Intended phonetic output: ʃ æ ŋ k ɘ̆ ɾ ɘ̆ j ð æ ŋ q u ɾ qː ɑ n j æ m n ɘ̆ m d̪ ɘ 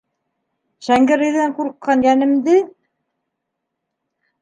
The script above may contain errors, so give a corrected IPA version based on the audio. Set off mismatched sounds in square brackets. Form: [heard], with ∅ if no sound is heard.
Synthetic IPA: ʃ æ ŋ [ɡ] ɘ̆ ɾ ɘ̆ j ð æ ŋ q u ɾ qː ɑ n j æ [∅] n ɘ̆ m d̪ ɘ